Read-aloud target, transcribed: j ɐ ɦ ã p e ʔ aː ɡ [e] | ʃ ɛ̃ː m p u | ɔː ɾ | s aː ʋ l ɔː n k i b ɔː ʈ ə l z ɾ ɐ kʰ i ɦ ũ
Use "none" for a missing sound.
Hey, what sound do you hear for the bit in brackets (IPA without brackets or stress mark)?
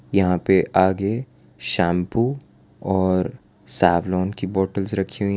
e